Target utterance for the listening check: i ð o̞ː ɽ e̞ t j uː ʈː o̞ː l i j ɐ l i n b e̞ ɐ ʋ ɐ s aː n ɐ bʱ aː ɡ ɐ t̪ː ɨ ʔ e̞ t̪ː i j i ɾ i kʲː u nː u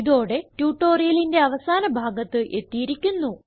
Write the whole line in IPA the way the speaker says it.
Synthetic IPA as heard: i ð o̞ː ɽ e̞ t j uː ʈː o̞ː r i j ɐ l i n d e̞ ɐ ʋ ɐ s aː n ɐ bʱ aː ɡ ɐ t̪ː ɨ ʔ e̞ t̪ː i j i ɾ i kʲː u nː u